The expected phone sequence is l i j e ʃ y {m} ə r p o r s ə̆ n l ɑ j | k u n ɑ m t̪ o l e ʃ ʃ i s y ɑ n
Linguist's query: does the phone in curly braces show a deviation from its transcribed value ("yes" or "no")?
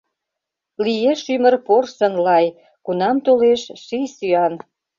no